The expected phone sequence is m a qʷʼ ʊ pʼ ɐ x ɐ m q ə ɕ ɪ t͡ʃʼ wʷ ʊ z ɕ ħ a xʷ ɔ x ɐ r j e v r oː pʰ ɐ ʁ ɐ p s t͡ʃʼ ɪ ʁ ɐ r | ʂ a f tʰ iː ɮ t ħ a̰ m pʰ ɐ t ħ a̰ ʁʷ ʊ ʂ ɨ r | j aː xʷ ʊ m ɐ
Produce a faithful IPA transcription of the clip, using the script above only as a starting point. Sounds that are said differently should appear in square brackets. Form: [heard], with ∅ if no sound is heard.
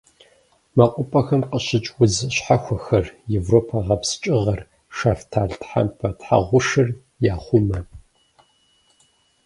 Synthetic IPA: m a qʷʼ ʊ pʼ ɐ x ɐ m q ə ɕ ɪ t͡ʃʼ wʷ ʊ z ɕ ħ a xʷ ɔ x ɐ r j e v r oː pʰ ɐ ʁ ɐ p s t͡ʃʼ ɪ ʁ ɐ r | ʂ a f tʰ [aː] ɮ t ħ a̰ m pʰ ɐ t ħ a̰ ʁʷ ʊ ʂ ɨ r | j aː [χʷ] ʊ m ɐ